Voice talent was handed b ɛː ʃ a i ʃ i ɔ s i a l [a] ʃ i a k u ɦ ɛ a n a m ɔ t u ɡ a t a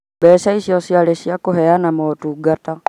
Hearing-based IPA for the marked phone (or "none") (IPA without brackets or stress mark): ɛ